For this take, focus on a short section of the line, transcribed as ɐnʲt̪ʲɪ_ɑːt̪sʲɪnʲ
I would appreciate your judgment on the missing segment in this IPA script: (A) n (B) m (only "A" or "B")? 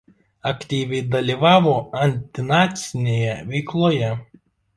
A